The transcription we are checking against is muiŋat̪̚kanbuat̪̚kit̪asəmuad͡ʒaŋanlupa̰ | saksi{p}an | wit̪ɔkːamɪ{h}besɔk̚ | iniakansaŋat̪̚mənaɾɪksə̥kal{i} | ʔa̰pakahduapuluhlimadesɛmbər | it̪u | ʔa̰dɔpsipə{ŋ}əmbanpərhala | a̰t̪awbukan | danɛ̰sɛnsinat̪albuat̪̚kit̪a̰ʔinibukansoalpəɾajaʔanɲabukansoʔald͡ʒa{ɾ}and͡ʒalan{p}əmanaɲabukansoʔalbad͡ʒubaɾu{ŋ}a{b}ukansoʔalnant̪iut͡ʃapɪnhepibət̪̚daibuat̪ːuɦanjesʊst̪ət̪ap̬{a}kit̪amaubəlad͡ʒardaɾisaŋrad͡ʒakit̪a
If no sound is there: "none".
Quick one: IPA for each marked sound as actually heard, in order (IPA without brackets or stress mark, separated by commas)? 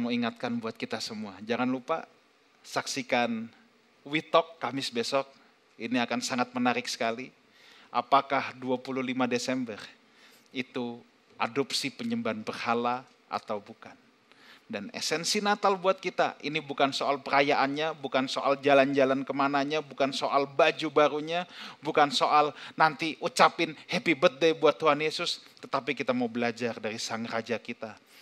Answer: k, s, i, ɲ, l, k, ɲ, b, i